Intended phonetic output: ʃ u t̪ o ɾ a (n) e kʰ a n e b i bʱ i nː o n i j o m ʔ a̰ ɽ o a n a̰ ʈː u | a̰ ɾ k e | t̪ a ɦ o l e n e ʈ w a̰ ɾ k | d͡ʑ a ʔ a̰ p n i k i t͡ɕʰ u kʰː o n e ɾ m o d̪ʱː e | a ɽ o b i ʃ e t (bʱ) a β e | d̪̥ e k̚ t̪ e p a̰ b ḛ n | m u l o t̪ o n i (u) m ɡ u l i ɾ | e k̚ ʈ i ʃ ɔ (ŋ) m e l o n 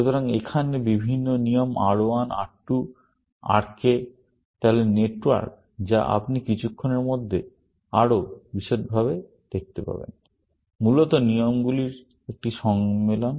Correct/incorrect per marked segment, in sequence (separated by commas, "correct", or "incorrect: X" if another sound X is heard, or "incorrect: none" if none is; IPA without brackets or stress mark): incorrect: ŋ, correct, incorrect: o, correct